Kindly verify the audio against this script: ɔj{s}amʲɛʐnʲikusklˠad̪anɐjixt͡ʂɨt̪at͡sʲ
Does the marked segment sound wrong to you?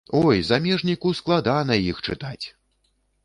yes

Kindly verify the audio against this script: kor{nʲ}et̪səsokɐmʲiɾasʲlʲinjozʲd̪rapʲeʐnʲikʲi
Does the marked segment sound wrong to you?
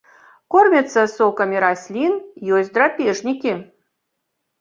yes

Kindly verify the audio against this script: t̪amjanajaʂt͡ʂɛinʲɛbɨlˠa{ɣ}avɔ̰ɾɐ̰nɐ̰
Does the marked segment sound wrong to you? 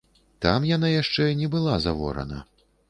yes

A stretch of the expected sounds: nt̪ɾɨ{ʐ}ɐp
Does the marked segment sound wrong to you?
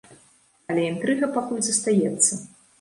yes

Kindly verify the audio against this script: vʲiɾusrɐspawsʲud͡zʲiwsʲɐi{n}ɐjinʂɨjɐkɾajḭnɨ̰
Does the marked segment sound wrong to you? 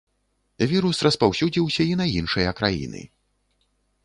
no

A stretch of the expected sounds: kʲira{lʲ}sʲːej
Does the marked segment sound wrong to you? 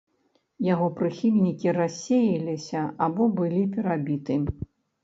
yes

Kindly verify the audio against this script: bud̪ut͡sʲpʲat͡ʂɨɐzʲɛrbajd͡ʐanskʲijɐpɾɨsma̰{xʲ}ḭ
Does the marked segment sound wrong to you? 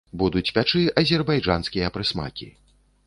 yes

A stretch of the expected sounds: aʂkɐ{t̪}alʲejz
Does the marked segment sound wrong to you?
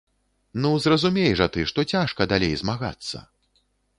yes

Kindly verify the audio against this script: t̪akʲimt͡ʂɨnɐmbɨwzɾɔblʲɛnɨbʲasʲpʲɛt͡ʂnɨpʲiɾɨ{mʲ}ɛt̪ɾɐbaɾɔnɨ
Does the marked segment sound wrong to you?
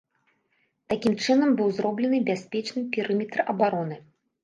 no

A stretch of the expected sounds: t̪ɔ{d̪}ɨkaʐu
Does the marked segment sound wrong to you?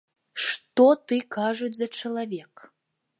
yes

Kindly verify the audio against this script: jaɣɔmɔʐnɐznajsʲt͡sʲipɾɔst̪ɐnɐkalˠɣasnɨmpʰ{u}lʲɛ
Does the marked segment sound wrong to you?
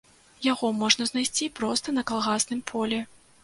yes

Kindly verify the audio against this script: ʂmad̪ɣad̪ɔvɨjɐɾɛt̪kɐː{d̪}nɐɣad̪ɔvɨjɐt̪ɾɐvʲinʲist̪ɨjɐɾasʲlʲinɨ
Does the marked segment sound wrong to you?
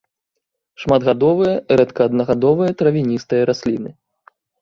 no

